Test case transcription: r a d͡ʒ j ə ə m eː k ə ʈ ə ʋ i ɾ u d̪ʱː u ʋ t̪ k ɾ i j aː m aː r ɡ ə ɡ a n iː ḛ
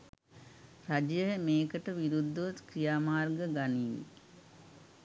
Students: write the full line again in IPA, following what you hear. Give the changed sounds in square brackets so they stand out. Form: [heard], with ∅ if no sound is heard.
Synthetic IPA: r a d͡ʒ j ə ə m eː k ə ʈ ə ʋ i ɾ u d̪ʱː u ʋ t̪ k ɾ i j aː m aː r ɡ ə ɡ a n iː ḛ